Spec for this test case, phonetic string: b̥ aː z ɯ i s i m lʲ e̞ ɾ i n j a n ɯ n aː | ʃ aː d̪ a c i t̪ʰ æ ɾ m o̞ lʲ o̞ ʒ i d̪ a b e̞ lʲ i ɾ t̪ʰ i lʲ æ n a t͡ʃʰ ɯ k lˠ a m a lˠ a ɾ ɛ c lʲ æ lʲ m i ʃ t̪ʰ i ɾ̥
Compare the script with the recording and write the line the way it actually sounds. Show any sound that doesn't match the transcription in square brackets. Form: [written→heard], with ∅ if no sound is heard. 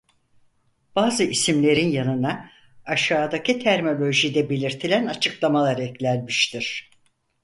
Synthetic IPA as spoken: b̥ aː z ɯ i s i m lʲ e̞ ɾ i n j a n ɯ n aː | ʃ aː d̪ a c i t̪ʰ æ ɾ m o̞ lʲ o̞ ʒ i d̪ [a→ɛ] b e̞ lʲ i ɾ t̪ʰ i lʲ æ n a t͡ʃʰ ɯ k lˠ a m a lˠ a ɾ ɛ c lʲ æ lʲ m i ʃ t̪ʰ i ɾ̥